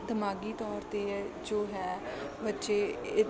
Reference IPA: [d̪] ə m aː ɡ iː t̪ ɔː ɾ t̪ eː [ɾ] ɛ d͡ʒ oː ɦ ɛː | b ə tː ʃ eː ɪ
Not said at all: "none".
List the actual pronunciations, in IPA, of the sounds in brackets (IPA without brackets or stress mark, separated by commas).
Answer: d̪, none